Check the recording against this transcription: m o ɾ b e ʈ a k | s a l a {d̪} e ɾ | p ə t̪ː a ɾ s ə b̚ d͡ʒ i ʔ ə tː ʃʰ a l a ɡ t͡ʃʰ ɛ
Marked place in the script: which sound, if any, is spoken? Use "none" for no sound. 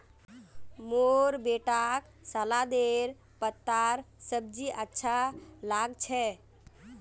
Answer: d̪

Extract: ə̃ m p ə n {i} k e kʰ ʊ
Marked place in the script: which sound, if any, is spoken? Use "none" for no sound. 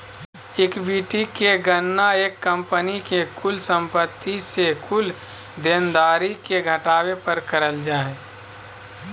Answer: i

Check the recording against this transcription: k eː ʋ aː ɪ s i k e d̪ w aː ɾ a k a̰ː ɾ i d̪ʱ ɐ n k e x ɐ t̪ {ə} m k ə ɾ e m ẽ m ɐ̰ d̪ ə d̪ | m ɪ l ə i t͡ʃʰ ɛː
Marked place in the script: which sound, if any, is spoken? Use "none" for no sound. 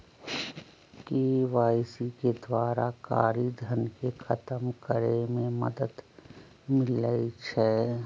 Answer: ə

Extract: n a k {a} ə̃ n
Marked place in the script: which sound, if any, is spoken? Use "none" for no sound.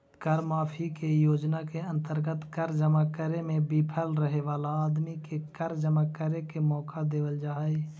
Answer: e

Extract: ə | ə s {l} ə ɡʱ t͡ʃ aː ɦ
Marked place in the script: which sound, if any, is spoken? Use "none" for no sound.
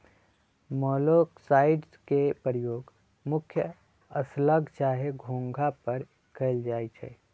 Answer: l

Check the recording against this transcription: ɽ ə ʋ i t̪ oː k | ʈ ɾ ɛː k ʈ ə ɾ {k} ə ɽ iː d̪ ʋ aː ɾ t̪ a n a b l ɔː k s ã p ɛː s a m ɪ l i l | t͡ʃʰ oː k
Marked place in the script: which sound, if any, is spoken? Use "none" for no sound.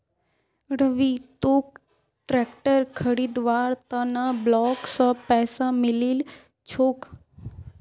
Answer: kʰ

